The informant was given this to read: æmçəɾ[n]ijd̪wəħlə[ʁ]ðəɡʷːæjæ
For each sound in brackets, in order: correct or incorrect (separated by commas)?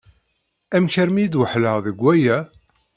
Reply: incorrect, correct